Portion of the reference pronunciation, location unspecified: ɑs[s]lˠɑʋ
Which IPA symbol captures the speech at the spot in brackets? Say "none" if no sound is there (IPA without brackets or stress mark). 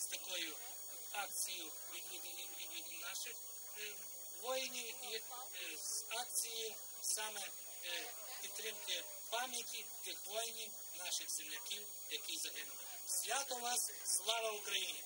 s